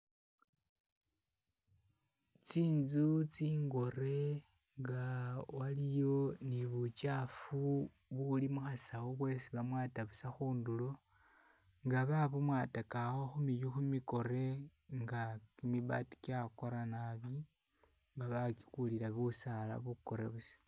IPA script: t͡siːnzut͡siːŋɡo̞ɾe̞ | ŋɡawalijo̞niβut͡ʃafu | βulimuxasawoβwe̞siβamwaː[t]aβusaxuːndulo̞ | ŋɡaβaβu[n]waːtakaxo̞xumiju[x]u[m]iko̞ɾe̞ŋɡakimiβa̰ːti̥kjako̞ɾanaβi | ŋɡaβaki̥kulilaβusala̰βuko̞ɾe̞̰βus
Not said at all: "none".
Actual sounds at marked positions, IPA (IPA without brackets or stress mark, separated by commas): t, m, x, m